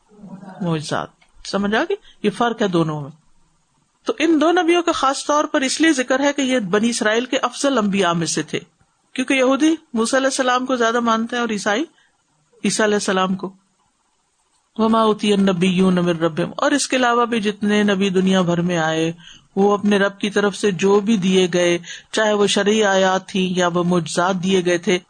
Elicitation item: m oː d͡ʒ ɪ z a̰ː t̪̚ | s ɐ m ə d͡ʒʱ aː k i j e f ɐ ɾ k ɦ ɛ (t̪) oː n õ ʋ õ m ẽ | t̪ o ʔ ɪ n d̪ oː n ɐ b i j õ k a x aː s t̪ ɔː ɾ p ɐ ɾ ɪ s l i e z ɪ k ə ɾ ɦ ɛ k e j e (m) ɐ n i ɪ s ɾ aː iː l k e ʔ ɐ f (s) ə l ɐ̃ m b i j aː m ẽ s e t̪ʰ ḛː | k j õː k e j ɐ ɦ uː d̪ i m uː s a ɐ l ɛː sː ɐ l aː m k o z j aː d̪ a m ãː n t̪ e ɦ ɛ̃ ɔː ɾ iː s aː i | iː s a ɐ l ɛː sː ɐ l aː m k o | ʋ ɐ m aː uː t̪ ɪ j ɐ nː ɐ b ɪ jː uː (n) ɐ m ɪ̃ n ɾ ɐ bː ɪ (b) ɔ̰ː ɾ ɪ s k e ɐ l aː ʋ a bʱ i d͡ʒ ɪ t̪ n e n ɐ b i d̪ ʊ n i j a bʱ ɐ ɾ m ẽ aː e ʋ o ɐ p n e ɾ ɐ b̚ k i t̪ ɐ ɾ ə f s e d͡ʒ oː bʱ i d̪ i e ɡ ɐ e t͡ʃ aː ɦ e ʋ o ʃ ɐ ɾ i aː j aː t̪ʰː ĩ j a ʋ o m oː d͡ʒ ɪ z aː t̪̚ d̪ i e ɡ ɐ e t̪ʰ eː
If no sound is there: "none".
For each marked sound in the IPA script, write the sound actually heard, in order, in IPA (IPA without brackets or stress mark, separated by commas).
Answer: d̪, b, z, n, m